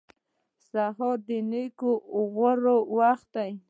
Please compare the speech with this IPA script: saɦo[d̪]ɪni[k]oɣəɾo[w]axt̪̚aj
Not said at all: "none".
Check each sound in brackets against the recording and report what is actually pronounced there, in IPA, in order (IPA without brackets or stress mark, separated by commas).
d̪, k, w